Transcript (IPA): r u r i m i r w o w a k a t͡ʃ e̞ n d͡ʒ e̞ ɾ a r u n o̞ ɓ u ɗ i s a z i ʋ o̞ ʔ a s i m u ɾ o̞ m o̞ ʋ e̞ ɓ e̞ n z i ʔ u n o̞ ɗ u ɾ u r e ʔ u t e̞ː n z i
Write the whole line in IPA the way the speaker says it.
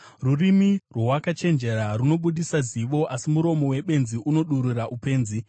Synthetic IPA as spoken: r u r i m i r w o w a k a t͡ʃ e̞ n d͡ʒ e̞ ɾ a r u n o̞ ɓ u ɗ i s a z i ʋ o̞ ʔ a s i m u ɾ o̞ m o̞ w e̞ ɓ e̞ n z i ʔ u n o̞ ɗ u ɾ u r a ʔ u p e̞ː n z i